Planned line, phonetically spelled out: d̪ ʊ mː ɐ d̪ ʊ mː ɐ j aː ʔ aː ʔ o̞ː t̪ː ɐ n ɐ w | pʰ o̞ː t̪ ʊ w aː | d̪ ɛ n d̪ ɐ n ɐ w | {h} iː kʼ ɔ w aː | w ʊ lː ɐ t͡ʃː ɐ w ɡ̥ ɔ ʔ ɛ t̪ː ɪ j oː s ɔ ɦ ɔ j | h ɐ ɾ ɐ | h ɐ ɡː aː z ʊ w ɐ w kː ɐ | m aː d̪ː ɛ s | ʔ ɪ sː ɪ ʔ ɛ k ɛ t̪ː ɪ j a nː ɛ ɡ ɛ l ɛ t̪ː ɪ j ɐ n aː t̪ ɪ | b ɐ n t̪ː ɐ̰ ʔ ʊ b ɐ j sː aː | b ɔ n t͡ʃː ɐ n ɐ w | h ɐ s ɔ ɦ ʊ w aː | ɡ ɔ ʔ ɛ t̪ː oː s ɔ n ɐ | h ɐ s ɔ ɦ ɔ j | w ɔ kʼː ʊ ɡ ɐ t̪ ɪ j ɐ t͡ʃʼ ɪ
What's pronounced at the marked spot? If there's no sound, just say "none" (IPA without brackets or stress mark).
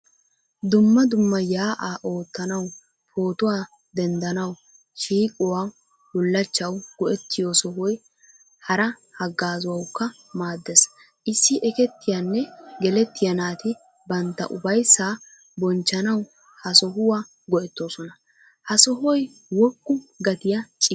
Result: ʃ